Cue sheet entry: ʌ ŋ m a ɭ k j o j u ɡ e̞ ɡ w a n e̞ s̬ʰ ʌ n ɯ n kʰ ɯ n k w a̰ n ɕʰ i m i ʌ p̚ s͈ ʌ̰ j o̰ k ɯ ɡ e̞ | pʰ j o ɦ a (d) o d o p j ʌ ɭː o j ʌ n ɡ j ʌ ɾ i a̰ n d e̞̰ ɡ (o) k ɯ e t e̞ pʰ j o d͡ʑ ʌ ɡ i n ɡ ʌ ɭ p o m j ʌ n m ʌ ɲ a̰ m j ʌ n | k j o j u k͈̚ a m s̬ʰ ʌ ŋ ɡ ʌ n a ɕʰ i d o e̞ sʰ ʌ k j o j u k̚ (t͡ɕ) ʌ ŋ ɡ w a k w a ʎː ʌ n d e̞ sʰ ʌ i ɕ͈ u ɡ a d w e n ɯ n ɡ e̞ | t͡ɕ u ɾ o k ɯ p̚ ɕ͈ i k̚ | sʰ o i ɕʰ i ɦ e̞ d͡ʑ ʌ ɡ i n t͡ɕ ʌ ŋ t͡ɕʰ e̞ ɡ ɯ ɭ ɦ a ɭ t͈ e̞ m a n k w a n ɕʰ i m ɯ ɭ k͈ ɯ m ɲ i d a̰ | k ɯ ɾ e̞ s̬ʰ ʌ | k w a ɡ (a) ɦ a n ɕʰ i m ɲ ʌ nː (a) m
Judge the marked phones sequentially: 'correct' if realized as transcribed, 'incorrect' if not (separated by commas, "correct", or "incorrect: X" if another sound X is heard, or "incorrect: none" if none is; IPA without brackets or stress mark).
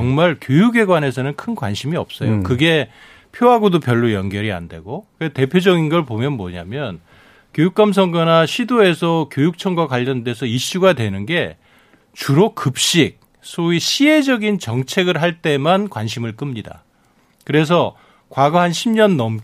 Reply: incorrect: ɡ, correct, incorrect: t͡ɕʰ, incorrect: ʌ, incorrect: ʌ